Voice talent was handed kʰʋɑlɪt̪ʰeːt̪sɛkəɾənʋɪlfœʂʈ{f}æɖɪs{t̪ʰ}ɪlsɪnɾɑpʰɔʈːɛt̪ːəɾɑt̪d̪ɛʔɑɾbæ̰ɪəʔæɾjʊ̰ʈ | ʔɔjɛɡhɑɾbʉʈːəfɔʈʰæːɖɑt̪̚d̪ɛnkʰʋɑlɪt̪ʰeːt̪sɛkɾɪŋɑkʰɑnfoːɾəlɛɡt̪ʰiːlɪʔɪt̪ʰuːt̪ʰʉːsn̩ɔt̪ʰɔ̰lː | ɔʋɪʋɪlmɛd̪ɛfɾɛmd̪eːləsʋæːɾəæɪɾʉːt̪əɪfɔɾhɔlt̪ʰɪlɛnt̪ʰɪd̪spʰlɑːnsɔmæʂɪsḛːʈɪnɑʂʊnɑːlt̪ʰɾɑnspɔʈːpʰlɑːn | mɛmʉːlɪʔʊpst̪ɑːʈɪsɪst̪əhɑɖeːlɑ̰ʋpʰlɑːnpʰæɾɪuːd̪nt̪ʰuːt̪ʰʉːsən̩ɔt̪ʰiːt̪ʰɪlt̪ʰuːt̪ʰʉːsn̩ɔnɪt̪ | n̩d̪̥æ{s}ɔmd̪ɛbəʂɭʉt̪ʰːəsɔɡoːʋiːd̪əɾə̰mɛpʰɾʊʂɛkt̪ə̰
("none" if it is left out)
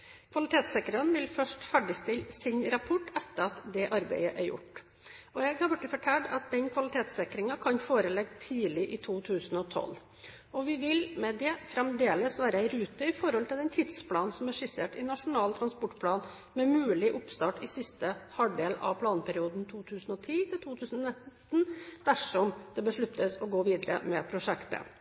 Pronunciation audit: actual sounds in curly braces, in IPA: f, t̪, ʂ

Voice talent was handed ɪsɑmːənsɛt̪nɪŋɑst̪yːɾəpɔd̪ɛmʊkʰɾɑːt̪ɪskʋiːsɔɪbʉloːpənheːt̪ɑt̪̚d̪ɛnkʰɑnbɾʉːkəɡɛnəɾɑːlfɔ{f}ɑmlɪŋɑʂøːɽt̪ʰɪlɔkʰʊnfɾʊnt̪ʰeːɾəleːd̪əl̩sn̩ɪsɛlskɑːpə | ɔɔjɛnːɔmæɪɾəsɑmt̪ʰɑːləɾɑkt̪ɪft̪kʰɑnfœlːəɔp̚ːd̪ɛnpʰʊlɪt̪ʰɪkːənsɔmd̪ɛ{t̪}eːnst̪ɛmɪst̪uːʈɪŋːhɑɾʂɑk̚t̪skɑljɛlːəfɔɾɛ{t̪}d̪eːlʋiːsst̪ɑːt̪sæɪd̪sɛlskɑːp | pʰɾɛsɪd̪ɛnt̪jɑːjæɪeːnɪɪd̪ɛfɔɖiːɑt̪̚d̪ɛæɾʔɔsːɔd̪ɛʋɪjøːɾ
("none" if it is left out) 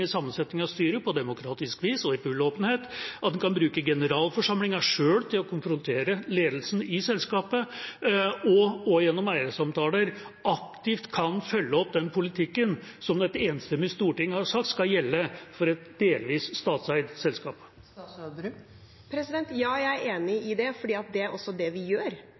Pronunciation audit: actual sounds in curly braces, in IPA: ʂ, t̪, t̪

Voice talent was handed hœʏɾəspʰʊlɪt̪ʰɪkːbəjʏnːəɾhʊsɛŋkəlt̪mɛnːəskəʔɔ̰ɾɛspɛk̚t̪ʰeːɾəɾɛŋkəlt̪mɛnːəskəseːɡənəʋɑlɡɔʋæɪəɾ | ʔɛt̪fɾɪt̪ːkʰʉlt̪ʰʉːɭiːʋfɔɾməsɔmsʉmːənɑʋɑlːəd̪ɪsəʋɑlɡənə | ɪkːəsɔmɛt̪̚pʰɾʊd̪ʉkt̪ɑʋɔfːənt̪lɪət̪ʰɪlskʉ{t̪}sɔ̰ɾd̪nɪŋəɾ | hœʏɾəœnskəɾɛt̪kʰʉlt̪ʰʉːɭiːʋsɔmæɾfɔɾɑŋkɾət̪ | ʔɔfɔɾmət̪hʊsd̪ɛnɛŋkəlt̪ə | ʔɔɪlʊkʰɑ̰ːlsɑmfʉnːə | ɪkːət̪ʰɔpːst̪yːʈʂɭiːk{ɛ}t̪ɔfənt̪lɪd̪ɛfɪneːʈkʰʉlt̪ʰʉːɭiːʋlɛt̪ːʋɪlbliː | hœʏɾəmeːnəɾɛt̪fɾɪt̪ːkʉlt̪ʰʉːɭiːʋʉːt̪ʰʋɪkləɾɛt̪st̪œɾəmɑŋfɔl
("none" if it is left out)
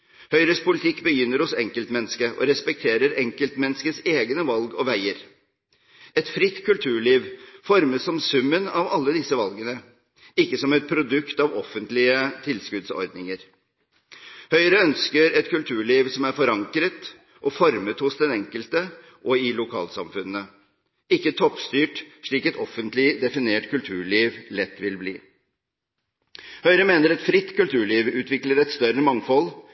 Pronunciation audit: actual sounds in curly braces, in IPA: d̪, ɛ

